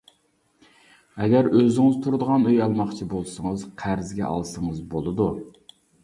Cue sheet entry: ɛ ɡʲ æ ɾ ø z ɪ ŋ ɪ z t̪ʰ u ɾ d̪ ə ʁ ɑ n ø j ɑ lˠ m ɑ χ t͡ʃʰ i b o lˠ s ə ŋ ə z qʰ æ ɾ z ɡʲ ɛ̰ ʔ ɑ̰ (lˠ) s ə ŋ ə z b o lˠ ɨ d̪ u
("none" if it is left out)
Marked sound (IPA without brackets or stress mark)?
lˠ